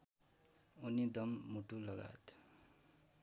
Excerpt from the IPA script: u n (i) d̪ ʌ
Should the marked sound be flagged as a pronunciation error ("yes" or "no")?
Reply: no